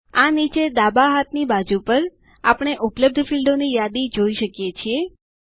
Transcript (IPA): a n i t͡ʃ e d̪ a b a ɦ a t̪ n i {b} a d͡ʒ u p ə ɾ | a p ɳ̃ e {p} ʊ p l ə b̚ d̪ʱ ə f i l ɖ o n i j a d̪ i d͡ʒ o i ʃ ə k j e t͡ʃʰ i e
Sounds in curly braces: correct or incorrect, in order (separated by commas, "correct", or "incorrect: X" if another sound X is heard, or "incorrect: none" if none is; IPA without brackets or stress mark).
correct, incorrect: ʔ